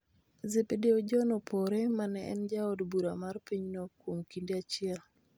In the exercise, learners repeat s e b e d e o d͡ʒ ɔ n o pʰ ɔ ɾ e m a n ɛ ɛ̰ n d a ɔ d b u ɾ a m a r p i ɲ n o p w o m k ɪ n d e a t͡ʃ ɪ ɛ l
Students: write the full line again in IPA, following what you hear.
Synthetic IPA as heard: z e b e d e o d͡ʒ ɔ n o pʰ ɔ ɾ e m a n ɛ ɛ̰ n d͡ʒ a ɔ d b u ɾ a m a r p i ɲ n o k w o m k i n d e a t͡ʃ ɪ ɛ l